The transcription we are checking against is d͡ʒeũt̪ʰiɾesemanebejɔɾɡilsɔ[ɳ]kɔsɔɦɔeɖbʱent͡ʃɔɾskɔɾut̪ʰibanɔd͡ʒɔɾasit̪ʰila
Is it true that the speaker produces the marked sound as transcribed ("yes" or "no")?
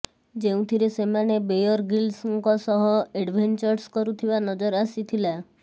no